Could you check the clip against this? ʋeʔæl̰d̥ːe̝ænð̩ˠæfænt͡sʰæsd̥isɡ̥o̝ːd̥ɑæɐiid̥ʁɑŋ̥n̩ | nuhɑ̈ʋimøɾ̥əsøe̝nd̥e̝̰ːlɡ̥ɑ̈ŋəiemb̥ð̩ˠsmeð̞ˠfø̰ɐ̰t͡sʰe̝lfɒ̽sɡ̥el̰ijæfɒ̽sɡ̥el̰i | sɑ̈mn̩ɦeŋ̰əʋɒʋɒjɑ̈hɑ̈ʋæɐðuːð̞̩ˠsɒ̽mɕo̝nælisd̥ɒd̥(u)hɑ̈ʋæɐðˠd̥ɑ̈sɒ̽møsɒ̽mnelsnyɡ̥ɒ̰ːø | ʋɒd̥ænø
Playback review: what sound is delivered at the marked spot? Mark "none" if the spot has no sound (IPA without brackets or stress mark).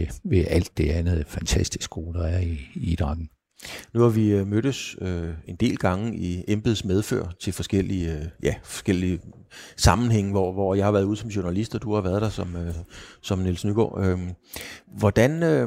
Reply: u